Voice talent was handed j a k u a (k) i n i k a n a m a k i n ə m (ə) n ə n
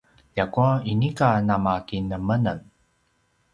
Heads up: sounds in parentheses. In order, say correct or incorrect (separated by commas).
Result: incorrect, correct